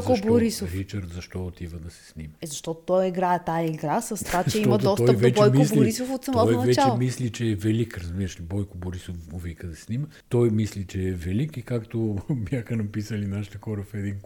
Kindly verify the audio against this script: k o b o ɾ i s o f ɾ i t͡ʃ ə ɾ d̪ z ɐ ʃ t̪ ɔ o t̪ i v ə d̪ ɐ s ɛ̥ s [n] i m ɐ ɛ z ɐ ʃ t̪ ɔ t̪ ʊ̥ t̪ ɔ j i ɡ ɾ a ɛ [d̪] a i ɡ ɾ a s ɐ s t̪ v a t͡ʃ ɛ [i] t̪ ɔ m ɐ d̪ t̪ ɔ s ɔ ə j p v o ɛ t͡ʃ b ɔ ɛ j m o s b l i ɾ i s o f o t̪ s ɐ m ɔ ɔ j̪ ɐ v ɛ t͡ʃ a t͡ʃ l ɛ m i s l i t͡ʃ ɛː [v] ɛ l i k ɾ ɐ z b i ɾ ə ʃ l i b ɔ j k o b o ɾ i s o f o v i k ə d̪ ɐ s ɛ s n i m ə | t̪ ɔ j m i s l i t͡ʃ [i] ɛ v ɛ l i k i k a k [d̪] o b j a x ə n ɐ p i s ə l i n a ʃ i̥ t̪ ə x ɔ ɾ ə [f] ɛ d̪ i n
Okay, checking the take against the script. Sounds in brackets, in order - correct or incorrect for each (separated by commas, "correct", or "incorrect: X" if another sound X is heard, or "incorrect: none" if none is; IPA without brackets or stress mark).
correct, incorrect: t̪, correct, correct, incorrect: ɛ, incorrect: t̪, correct